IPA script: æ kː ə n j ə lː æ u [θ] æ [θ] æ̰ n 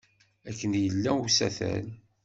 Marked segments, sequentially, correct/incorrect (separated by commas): incorrect, correct